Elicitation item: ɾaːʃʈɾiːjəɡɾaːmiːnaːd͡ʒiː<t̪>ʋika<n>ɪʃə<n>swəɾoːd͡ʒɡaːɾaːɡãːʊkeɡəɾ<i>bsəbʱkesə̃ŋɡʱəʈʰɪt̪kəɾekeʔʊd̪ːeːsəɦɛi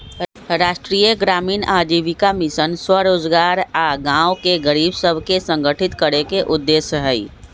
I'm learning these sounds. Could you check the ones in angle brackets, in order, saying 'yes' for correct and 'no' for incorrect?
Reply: no, no, yes, no

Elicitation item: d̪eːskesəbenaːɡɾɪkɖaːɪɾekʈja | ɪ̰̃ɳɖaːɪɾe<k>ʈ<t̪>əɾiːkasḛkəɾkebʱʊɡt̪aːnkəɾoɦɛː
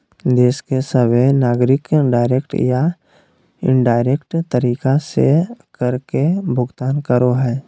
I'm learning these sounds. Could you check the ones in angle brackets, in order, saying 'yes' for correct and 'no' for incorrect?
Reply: yes, yes

